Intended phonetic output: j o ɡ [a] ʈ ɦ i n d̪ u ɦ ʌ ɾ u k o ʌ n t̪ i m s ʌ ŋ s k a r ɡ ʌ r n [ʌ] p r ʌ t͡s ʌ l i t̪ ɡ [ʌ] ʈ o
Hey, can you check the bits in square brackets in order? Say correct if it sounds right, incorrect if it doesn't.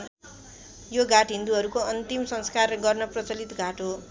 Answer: correct, correct, incorrect: a

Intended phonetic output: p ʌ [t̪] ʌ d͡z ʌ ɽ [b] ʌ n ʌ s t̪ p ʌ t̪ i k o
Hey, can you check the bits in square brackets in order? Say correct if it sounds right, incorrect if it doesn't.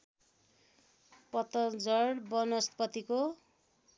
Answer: correct, correct

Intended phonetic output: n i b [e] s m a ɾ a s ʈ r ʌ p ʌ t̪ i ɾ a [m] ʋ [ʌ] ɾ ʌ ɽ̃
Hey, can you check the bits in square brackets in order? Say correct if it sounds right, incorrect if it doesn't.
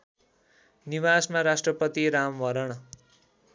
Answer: incorrect: a, correct, correct

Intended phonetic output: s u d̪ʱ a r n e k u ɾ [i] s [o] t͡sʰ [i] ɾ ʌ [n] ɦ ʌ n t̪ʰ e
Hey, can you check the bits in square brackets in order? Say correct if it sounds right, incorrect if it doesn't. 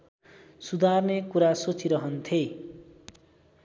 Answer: incorrect: a, correct, correct, incorrect: none

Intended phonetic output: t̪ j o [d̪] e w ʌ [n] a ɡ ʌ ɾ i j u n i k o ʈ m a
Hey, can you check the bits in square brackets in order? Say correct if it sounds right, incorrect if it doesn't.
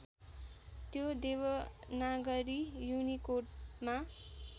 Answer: correct, correct

